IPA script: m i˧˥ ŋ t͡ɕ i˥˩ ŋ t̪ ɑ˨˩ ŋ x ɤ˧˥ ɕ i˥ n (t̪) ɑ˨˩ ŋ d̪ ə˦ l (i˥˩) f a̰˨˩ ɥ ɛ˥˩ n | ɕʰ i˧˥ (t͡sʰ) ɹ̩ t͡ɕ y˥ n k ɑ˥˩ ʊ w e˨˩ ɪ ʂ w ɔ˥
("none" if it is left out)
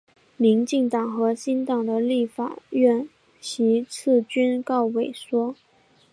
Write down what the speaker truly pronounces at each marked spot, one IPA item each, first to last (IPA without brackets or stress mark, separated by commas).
t̪, i˥˩, t͡sʰ